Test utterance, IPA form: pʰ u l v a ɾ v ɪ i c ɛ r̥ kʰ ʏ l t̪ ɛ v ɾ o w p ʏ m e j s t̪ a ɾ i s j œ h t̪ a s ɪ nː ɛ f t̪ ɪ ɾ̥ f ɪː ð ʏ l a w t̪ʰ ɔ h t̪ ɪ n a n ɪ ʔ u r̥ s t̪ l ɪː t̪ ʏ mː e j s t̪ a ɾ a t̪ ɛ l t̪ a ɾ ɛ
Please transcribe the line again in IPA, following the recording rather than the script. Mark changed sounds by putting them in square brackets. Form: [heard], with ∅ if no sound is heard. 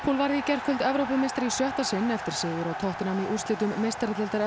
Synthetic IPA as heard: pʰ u l v a ɾ [ð] ɪ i c ɛ r̥ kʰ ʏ l t̪ ɛ v ɾ o w p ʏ m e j s t̪ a ɾ i s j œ h t̪ a s ɪ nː ɛ f t̪ ɪ ɾ̥ [s] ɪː ð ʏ [ɾ] a w t̪ʰ ɔ h t̪ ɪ n a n [i] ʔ u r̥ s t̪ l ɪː t̪ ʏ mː e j s t̪ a ɾ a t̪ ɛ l t̪ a ɾ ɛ